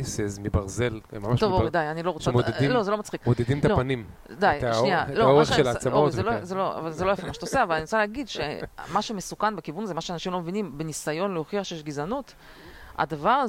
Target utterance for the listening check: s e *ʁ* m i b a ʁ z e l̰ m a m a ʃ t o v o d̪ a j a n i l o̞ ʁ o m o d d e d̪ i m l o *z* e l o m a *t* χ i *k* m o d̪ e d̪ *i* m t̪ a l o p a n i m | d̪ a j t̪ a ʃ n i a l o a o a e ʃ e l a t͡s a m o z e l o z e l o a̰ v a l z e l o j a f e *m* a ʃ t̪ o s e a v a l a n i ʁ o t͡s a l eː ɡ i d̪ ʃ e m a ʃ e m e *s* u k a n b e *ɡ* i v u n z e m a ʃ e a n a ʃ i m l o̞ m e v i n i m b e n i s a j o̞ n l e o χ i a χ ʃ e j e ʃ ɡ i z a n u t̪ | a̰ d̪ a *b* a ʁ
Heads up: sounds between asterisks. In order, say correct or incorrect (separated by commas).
incorrect, correct, incorrect, correct, correct, correct, correct, incorrect, incorrect